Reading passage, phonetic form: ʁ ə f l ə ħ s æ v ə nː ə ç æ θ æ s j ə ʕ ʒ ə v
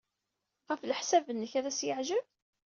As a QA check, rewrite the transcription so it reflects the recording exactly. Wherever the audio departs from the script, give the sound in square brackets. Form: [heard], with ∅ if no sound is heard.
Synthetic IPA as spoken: ʁ ə f l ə ħ s æ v ə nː ə ç æ [ð] æ s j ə ʕ ʒ ə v